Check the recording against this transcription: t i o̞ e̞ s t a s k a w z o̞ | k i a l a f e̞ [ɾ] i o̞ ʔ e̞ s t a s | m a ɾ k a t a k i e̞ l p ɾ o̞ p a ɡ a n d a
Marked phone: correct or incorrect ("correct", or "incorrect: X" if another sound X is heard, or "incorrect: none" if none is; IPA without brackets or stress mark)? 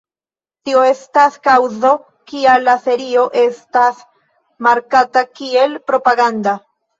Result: correct